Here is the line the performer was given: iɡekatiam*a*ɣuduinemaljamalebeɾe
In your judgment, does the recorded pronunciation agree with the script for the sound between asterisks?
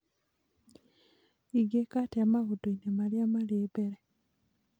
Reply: yes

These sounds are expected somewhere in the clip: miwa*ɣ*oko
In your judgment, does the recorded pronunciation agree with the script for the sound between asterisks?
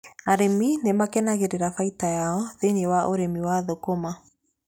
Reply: no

